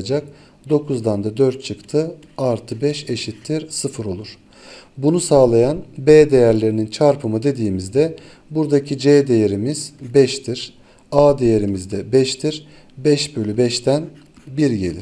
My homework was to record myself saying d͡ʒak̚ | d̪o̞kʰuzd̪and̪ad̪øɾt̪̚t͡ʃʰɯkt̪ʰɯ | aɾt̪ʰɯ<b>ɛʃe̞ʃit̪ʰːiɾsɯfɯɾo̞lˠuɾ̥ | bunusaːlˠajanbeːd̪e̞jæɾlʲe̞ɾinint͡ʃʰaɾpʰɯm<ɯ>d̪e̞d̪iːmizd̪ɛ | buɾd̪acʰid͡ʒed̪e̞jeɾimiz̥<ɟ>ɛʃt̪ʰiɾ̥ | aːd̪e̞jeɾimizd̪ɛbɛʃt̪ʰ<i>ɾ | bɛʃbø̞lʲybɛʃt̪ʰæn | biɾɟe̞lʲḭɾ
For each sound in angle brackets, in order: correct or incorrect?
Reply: correct, correct, incorrect: b, correct

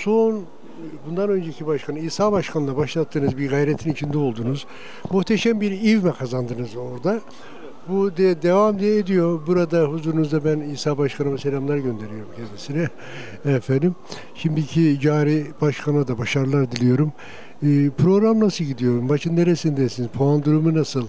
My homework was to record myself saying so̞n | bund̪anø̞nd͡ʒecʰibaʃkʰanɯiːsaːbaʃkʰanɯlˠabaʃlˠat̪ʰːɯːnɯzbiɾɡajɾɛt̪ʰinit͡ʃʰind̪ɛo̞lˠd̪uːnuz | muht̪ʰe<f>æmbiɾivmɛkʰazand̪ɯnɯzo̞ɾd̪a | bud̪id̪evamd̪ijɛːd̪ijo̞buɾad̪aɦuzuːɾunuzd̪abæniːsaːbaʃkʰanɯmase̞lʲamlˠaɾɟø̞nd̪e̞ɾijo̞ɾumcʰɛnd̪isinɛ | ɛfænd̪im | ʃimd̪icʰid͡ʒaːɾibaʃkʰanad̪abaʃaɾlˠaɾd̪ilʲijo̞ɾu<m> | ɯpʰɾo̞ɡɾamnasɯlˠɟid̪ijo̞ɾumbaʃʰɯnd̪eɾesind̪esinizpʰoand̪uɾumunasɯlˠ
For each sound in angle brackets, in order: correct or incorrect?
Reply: incorrect: ʃ, correct

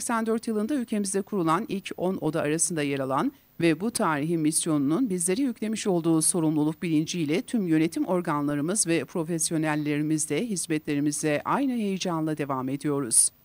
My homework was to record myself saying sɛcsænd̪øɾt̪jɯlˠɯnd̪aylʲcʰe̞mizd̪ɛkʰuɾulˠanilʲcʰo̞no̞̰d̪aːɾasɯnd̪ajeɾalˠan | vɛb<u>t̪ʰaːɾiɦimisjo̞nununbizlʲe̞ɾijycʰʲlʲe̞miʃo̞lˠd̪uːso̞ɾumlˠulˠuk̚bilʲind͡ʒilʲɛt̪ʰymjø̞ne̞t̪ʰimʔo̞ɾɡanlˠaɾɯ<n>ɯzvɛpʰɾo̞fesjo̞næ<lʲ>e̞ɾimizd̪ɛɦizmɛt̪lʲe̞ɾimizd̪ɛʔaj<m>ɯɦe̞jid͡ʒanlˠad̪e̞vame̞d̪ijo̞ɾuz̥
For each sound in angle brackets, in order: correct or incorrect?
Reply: correct, incorrect: m, incorrect: lʲː, incorrect: n

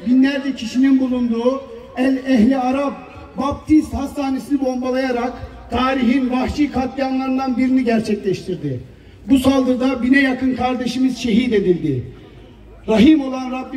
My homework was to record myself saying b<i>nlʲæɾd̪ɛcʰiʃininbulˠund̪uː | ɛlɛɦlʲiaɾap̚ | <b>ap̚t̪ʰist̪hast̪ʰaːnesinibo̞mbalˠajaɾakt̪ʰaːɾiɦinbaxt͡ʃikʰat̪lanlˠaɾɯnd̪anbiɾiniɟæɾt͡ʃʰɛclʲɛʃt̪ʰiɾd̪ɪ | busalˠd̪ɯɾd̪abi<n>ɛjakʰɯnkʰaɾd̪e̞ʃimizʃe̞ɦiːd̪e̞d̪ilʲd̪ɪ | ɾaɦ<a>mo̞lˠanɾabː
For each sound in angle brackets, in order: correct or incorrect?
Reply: correct, correct, correct, incorrect: i

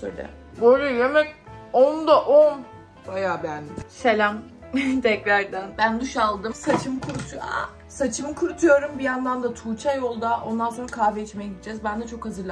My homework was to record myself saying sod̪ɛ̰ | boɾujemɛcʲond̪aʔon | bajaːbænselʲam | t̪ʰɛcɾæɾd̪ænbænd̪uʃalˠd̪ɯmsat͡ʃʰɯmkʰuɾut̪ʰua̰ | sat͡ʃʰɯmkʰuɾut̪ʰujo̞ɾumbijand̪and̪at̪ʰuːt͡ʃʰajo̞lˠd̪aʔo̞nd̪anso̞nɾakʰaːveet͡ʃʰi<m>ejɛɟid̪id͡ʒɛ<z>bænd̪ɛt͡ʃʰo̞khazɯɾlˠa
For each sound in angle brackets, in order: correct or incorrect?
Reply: correct, correct

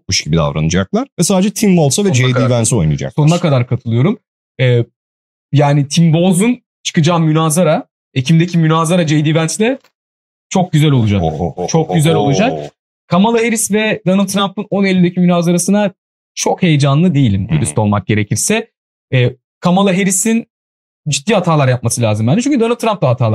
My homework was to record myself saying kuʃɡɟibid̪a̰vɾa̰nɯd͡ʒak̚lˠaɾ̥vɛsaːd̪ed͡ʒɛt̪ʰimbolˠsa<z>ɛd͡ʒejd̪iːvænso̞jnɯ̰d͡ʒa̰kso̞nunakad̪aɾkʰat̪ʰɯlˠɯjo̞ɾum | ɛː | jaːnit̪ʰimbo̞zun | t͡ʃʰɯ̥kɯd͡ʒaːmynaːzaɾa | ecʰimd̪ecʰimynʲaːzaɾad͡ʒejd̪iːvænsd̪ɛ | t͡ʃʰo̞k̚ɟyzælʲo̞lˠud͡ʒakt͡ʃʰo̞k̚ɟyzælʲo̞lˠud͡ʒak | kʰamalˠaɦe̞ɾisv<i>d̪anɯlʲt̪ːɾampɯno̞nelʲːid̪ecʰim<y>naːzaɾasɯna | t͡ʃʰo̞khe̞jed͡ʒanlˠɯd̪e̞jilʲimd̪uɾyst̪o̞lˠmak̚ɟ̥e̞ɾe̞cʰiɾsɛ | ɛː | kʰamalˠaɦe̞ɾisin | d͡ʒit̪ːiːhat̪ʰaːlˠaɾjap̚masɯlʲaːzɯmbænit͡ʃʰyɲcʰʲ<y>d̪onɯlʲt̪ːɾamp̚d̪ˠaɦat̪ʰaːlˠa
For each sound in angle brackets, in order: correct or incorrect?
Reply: incorrect: v, incorrect: ɛ, correct, correct

